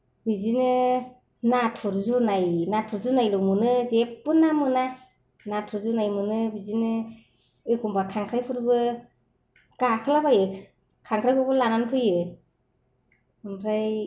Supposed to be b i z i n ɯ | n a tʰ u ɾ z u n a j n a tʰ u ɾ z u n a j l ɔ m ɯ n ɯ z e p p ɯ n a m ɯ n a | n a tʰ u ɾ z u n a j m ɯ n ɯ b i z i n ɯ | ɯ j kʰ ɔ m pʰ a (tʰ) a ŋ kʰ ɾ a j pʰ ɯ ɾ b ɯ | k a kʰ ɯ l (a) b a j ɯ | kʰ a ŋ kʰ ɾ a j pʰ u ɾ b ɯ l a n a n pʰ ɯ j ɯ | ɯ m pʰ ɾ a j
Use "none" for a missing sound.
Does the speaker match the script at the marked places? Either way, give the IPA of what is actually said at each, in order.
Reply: kʰ, a

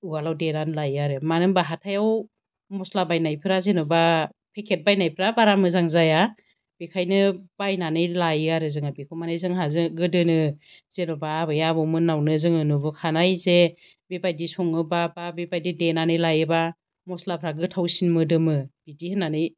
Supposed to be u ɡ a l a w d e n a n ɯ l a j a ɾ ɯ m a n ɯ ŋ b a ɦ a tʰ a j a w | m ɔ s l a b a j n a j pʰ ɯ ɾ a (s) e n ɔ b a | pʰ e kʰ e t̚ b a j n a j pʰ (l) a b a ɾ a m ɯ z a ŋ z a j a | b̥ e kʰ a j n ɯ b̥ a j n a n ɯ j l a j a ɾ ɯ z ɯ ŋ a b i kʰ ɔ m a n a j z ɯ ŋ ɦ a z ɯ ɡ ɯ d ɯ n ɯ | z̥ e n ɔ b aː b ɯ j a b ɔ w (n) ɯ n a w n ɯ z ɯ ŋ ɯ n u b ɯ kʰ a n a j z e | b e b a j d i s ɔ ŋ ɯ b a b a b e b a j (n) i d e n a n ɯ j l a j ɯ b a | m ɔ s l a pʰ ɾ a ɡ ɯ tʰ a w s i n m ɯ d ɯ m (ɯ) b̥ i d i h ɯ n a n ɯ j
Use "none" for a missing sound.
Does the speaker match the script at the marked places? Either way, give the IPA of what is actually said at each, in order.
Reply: z, ɾ, m, d, ɯ

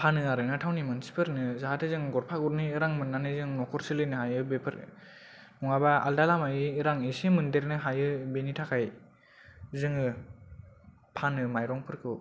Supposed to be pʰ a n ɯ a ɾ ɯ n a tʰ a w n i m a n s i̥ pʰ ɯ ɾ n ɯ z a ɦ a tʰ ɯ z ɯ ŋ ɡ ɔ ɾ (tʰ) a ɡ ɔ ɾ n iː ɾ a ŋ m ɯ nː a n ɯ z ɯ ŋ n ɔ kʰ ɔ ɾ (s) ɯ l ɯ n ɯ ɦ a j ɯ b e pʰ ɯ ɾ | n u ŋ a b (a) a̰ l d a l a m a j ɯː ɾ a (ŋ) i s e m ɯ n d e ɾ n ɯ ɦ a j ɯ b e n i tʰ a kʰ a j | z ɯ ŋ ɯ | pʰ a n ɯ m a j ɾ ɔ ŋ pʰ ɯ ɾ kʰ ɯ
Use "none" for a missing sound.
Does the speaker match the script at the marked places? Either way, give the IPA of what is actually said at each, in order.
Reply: pʰ, s, a, ŋ

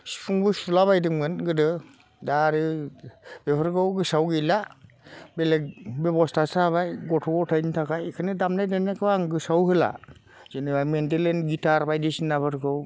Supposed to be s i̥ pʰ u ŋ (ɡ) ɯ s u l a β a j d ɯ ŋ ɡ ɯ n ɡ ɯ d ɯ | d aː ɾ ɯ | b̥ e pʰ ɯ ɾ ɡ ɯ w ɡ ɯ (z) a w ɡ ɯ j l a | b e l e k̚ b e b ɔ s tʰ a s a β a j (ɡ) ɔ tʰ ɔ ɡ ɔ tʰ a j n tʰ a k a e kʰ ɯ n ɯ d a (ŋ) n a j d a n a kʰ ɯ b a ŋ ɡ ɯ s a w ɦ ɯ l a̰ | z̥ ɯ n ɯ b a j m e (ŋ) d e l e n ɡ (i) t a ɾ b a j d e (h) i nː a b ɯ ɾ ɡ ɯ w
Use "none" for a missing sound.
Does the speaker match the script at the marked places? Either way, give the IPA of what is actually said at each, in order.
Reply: b, s, ɡ, m, n, i, s

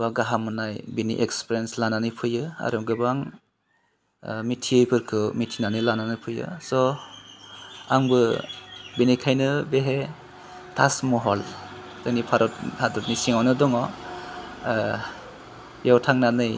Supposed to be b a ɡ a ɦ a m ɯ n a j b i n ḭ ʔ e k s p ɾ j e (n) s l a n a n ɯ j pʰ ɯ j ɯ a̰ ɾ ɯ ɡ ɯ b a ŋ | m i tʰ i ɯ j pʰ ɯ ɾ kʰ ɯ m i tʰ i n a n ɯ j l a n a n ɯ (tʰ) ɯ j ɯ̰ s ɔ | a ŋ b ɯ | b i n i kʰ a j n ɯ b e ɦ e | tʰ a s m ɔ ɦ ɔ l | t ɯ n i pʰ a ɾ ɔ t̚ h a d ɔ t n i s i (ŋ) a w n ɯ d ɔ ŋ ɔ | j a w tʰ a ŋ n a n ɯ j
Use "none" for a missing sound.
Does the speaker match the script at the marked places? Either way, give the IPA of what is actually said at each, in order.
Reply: n, pʰ, ŋ

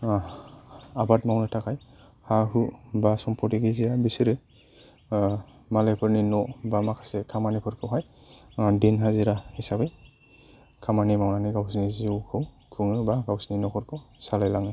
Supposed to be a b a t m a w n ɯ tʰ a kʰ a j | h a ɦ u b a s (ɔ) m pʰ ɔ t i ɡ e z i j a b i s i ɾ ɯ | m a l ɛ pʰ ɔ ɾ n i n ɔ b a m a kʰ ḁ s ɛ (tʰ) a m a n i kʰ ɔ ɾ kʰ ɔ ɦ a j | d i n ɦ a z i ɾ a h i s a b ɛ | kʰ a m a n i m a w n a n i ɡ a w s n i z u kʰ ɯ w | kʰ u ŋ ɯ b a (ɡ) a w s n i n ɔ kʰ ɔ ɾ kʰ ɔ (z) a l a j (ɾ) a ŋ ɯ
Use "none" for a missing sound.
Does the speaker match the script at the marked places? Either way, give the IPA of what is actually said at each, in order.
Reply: ɔ, kʰ, ɡ, s, l

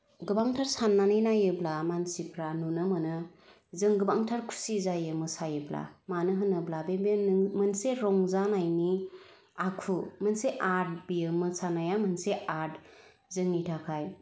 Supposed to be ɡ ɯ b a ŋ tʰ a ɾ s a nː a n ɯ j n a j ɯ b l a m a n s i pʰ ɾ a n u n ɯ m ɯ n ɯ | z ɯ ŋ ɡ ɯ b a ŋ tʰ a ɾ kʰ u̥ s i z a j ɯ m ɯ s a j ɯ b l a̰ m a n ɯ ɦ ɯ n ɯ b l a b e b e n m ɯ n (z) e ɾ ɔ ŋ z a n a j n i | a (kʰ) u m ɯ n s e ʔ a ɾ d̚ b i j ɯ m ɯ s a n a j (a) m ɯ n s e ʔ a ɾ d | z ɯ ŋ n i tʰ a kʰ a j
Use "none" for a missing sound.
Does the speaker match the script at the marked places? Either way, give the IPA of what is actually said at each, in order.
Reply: s, kʰ, a

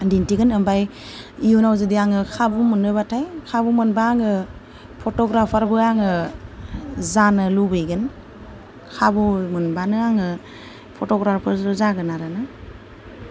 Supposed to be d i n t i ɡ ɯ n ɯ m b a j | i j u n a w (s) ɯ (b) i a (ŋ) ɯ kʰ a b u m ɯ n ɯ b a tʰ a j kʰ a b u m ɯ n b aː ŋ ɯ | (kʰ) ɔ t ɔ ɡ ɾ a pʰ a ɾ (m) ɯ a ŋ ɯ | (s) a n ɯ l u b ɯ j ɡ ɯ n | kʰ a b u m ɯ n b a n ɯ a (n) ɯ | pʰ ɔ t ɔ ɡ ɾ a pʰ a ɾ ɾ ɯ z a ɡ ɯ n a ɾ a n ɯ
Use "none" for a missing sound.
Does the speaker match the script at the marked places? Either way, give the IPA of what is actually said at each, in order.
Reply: z, d, ŋ, pʰ, b, z, ŋ

